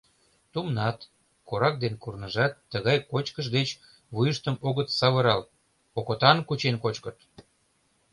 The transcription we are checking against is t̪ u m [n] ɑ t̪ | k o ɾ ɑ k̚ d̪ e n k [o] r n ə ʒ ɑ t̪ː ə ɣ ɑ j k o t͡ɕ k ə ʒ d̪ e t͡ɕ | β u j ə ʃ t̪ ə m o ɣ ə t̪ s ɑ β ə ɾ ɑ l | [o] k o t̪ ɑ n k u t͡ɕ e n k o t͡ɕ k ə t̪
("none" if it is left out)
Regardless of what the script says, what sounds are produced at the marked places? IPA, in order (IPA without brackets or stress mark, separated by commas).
n, u, o